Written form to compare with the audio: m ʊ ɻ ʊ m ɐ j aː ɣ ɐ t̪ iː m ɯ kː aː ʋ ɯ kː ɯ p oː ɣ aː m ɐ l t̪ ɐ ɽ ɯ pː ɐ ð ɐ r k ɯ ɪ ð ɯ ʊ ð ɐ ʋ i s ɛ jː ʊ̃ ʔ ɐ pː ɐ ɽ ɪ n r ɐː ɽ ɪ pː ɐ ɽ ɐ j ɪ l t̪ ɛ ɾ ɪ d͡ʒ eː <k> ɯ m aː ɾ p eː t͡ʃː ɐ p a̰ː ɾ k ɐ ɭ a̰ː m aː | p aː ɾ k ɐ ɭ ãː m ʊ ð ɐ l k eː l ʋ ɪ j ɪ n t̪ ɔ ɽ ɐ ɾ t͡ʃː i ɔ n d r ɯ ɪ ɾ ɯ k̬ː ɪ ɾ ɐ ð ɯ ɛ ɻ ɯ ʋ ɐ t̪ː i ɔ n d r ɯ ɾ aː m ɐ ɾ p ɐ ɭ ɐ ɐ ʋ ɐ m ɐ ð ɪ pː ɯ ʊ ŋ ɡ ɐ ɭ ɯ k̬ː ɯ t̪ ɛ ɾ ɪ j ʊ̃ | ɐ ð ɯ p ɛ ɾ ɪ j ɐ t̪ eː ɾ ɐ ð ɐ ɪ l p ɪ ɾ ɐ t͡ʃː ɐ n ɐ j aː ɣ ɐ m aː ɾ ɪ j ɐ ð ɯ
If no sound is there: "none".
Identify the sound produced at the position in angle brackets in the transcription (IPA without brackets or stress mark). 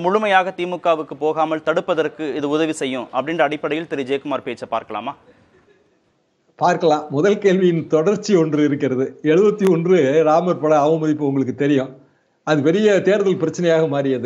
k